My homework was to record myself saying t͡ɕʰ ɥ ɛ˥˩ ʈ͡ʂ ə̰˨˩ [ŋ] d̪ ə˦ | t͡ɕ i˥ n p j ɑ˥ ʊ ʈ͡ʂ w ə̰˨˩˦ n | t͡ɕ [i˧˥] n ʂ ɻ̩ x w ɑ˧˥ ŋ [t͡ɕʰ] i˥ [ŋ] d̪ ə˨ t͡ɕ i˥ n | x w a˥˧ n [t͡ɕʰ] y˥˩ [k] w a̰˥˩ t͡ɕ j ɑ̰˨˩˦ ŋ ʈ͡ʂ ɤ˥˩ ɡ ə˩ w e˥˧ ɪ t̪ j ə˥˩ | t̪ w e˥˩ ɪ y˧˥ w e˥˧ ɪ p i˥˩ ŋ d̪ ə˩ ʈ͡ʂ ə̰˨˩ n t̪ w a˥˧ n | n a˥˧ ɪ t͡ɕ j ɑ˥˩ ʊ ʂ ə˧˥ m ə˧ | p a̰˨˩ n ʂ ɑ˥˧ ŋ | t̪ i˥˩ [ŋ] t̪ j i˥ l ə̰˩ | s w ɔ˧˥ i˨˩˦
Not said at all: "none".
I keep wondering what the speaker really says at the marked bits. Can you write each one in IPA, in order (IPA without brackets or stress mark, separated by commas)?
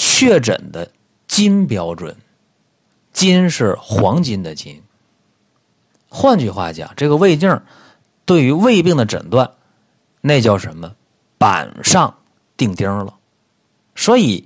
n, i˥, t͡ɕ, n, t͡ɕ, x, ŋ